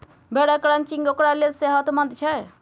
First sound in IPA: b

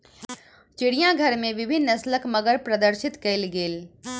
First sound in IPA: t͡ʃ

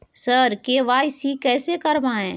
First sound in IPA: s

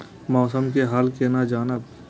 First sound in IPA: m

